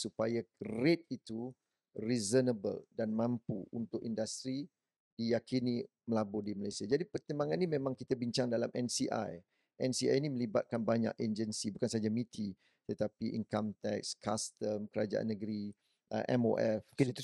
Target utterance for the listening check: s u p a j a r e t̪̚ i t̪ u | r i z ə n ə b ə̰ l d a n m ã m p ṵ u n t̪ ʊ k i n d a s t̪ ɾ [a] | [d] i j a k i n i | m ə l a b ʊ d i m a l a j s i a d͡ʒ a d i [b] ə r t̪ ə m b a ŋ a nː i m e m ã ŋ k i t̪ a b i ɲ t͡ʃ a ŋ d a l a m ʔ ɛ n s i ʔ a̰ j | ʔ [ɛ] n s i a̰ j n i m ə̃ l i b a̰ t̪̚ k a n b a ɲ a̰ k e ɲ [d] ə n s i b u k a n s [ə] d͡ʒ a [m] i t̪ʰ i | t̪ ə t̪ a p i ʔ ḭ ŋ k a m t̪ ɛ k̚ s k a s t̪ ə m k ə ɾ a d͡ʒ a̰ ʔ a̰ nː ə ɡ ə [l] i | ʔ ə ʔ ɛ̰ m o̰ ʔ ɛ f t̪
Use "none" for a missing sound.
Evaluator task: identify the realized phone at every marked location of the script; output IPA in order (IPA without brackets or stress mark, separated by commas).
i, d, p, ɛ, d͡ʒ, a, m, ɾ